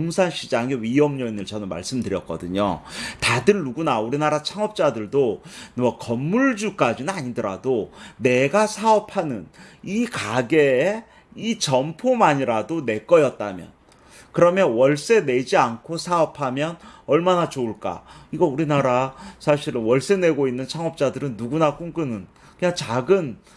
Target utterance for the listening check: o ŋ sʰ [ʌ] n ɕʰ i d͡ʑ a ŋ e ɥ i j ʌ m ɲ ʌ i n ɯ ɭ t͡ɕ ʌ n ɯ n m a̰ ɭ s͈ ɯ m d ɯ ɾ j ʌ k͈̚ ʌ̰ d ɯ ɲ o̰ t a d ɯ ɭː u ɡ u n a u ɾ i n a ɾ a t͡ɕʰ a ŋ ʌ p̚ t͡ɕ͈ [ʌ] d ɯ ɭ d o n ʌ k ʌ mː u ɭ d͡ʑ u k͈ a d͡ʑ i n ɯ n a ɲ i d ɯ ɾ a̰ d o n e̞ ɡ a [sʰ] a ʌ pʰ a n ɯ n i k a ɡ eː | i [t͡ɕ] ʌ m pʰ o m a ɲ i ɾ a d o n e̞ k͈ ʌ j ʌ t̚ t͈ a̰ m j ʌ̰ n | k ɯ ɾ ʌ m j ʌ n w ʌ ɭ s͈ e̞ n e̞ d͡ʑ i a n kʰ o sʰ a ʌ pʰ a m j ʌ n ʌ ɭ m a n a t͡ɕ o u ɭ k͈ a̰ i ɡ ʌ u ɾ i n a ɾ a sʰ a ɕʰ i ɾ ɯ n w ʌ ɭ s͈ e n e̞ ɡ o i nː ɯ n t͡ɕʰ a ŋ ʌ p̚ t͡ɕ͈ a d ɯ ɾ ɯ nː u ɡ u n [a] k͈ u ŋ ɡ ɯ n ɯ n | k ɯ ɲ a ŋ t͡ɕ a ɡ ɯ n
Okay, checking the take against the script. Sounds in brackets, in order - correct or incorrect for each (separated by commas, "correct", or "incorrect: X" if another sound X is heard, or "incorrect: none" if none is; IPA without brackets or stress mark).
incorrect: a, incorrect: a, correct, correct, correct